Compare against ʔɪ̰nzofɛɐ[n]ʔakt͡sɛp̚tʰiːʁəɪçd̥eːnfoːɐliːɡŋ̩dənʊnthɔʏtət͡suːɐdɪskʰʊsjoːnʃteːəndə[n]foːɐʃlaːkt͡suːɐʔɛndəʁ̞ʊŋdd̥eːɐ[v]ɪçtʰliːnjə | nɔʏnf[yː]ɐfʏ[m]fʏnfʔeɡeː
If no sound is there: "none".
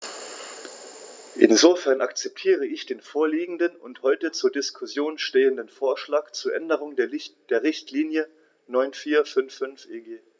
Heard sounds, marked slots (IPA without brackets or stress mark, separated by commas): n, n, ʁ, iː, n